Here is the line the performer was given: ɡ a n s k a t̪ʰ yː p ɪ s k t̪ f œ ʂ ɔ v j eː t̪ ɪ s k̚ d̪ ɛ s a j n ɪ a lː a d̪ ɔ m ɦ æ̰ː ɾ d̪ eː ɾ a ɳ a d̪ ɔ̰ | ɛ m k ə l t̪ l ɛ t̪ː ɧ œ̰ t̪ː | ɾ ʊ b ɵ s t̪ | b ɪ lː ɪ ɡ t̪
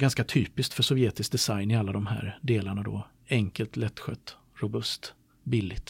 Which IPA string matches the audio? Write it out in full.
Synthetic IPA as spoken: ɡ a n s k a t̪ʰ yː p ɪ s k t̪ f œ ʂ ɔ v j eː t̪ ɪ s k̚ d̪ ɛ s a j n ɪ a lː a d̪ ɔ m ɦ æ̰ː ɾ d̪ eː l a ɳ a d̪ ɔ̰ | ɛ ŋ k ə l t̪ l ɛ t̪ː ɧ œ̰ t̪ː | ɾ ʊ b ɵ s t̪ | b ɪ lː ɪ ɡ t̪